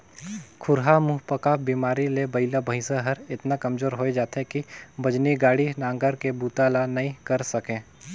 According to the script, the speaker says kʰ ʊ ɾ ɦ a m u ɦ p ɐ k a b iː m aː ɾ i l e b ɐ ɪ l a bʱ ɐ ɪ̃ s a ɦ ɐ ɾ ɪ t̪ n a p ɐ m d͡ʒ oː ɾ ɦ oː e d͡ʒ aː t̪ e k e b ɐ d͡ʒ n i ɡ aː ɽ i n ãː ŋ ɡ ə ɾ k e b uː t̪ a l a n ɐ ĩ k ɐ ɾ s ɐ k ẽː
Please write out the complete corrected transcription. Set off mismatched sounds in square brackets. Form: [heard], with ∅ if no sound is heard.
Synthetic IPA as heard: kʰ ʊ ɾ ɦ a m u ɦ p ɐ k a b iː m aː ɾ i l e b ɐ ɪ l a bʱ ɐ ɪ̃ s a ɦ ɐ ɾ ɪ t̪ n a [k] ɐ m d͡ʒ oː ɾ ɦ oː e d͡ʒ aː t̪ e k [i] b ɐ d͡ʒ n i ɡ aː ɽ i n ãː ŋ ɡ ə ɾ k e b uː t̪ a l a n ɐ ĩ k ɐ ɾ s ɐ k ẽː

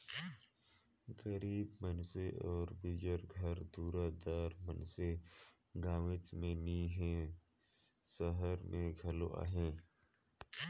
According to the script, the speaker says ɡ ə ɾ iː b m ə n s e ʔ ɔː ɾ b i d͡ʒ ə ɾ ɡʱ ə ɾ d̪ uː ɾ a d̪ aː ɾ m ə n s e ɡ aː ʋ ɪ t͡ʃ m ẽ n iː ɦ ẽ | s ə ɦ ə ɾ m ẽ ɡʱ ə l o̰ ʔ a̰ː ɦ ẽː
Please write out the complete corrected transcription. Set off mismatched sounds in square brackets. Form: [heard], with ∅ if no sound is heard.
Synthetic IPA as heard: ɡ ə ɾ iː b m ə n s e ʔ ɔː ɾ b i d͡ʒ ə ɾ ɡʱ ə ɾ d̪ uː ɾ a d̪ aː ɾ m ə n s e ɡ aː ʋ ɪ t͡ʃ m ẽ n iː ɦ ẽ | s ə ɦ ə ɾ m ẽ ɡʱ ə l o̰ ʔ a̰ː ɦ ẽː

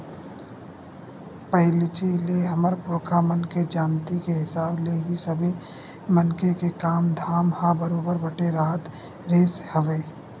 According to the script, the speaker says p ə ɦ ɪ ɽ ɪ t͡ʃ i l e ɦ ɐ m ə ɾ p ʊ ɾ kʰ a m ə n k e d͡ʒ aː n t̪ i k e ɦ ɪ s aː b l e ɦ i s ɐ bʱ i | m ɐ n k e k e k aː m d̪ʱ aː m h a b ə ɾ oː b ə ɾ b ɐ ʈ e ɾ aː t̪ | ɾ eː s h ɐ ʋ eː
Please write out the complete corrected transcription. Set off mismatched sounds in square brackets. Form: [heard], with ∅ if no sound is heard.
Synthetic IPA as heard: p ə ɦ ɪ [l] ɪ t͡ʃ i l e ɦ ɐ m ə ɾ p ʊ ɾ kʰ a m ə n k e d͡ʒ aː n t̪ i k e ɦ ɪ s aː b l e ɦ i s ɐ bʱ i | m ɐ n k e k e k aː m d̪ʱ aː m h a b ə ɾ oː b ə ɾ b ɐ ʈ e ɾ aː t̪ | ɾ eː s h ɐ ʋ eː

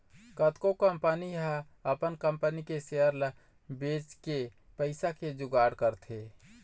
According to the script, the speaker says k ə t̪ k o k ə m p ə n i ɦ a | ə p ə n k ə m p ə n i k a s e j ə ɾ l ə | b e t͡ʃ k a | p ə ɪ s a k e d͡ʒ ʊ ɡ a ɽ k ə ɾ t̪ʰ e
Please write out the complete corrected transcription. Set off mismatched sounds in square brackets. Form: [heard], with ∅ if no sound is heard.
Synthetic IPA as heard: k ə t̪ k o k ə m p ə n i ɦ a | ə p ə n k ə m p ə n i k [e] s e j ə ɾ l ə | b e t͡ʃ k [e] | p ə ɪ s a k e d͡ʒ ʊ ɡ a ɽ k ə ɾ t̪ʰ e

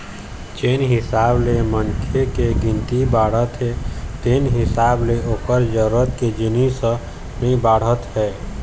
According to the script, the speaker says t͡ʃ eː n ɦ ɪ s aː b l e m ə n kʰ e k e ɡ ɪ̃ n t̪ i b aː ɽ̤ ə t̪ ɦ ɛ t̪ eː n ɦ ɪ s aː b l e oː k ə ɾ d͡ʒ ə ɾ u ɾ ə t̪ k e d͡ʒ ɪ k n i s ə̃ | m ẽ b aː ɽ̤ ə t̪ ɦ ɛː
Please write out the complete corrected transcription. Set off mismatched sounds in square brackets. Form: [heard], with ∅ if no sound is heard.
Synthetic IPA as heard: t͡ʃ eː n ɦ ɪ s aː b l e m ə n kʰ e k e ɡ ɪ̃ n t̪ i b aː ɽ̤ ə t̪ ɦ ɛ t̪ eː n ɦ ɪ s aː b l e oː k ə ɾ d͡ʒ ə ɾ u ɾ ə t̪ k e d͡ʒ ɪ [∅] n i s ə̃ | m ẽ b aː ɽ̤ ə t̪ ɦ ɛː

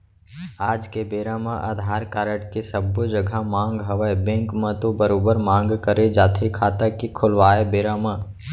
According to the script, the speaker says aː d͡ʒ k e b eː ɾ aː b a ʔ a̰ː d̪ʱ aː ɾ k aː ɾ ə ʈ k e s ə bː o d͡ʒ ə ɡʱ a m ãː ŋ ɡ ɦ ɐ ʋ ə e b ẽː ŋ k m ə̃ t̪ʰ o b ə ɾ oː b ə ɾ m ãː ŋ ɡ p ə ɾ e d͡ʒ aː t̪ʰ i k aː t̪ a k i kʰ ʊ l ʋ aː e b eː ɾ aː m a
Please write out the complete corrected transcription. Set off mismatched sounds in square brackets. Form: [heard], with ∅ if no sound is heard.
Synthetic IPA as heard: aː d͡ʒ k e b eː ɾ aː [m] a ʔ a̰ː d̪ʱ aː ɾ k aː ɾ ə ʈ k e s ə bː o d͡ʒ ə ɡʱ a m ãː ŋ ɡ ɦ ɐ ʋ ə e b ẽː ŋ k m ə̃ [t̪] o b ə ɾ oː b ə ɾ m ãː ŋ ɡ [k] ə ɾ e d͡ʒ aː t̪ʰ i [kʰ] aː t̪ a k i kʰ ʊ l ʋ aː e b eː ɾ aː m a

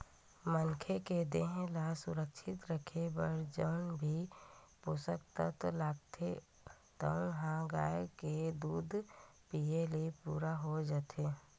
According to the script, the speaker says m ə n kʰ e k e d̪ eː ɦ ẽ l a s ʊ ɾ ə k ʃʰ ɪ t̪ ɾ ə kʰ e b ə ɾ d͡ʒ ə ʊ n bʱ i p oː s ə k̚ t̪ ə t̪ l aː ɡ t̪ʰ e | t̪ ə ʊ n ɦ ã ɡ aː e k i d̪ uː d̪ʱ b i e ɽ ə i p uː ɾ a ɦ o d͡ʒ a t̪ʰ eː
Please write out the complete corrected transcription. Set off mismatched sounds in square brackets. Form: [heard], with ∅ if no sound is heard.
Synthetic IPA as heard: m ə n kʰ e k e d̪ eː ɦ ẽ l a s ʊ ɾ ə k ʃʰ ɪ t̪ ɾ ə kʰ e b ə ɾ d͡ʒ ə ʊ n bʱ i p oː s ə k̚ t̪ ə t̪ l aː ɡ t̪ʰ e | t̪ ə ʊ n ɦ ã ɡ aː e k [e] d̪ uː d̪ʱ [p] i e [l] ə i p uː ɾ a ɦ o d͡ʒ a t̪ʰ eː

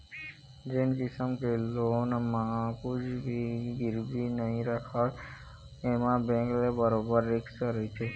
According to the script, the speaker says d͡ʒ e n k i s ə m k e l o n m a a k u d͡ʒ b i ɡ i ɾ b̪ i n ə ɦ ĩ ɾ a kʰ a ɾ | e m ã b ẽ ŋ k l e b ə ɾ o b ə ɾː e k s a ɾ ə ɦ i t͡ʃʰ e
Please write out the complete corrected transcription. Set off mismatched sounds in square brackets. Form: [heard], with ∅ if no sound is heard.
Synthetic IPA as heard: d͡ʒ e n k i s ə m k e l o n m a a k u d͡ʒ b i ɡ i ɾ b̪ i n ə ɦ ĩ ɾ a kʰ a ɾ | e m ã b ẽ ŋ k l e b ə ɾ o b ə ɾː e k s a ɾ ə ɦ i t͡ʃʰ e

